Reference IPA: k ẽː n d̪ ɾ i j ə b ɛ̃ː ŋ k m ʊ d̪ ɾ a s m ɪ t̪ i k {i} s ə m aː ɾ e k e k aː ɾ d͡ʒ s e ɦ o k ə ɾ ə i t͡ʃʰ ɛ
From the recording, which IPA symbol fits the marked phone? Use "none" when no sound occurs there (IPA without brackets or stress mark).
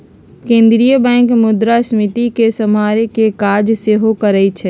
e